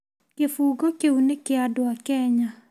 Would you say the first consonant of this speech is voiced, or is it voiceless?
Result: voiceless